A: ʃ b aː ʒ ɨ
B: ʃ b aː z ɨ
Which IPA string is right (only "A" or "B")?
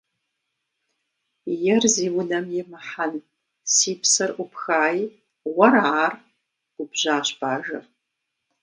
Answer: A